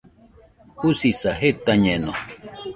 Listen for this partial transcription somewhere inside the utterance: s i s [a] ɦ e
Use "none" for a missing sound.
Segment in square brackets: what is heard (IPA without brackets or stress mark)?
a